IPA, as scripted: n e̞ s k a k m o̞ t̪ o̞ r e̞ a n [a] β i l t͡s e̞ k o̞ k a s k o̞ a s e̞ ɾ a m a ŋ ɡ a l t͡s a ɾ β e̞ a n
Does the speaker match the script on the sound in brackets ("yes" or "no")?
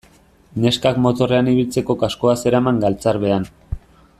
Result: no